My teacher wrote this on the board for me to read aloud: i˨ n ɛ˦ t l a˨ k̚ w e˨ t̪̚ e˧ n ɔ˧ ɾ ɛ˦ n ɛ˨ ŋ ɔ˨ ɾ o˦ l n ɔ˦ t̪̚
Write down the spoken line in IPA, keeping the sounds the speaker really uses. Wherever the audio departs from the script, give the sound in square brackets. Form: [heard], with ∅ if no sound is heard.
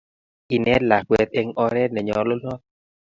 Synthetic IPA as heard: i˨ n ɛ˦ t l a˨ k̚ w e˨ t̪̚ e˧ [ŋ] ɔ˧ ɾ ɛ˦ n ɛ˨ [ɲ] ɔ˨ [l] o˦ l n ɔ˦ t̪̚